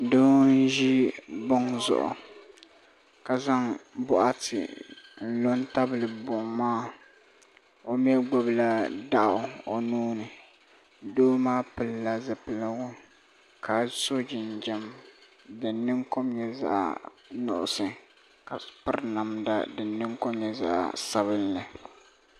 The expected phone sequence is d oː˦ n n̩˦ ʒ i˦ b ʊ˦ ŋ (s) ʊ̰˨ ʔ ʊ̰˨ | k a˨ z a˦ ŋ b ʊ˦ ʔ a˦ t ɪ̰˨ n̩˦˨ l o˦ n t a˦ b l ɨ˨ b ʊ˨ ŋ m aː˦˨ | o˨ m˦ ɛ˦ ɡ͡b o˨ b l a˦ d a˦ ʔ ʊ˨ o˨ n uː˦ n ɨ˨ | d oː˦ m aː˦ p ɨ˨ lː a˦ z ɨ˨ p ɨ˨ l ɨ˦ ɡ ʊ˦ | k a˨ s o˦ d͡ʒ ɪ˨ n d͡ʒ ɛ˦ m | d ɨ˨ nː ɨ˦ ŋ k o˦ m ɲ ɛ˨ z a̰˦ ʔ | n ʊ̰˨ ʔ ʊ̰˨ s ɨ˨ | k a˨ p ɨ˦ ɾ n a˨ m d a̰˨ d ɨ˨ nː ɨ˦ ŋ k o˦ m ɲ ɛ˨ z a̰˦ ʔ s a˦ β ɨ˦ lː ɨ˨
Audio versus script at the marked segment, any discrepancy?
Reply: yes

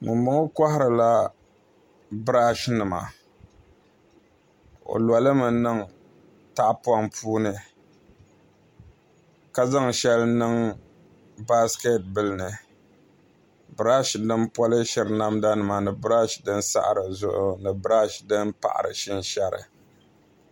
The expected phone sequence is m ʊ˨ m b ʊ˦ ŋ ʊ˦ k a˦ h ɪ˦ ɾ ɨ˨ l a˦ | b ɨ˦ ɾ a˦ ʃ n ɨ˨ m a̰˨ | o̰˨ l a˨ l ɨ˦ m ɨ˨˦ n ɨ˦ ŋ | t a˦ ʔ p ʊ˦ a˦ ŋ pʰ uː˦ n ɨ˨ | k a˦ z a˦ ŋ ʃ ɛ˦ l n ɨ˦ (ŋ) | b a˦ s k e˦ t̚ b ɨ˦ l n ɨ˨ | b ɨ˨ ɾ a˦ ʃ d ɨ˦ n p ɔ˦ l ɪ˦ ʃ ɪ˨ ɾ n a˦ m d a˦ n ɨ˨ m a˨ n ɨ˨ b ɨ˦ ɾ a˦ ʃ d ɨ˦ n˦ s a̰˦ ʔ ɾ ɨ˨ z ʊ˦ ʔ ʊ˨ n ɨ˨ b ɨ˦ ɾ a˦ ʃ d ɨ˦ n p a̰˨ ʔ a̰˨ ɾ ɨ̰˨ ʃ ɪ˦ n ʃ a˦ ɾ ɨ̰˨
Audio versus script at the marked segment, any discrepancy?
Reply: no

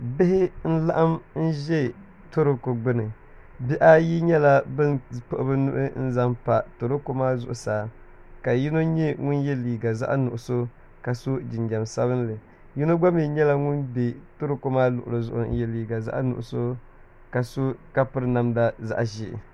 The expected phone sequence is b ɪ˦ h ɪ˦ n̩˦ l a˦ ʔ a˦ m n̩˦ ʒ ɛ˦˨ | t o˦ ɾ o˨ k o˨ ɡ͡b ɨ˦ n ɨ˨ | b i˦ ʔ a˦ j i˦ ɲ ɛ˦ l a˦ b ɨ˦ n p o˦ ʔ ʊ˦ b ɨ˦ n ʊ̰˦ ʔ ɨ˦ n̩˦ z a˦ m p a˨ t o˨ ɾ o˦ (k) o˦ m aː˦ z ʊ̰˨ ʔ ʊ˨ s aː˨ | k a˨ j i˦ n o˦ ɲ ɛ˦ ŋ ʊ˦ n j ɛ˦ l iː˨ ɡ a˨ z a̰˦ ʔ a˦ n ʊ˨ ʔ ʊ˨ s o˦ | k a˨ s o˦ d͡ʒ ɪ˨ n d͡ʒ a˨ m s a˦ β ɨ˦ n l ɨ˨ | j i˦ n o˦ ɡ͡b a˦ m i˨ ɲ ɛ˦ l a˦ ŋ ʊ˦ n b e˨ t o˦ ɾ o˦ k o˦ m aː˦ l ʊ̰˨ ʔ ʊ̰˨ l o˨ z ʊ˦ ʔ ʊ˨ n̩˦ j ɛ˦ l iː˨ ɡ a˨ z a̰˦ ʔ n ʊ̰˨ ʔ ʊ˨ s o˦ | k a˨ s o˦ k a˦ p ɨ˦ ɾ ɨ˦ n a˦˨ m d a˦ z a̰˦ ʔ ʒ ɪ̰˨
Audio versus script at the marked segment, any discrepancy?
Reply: no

